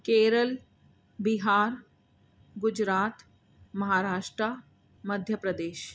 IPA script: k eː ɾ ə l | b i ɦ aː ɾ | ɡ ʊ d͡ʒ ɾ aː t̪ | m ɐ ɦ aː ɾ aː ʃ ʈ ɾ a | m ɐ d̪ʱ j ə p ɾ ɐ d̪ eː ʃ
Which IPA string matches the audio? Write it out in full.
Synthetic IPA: k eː ɾ ə l | b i ɦ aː ɾ | ɡ ʊ d͡ʒ ɾ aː t̪ | m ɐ ɦ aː ɾ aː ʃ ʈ ɾ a | m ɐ d̪ʱ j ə p ɾ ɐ d̪ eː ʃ